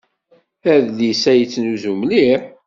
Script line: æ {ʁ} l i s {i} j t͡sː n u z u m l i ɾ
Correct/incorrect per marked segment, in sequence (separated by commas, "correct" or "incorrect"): incorrect, incorrect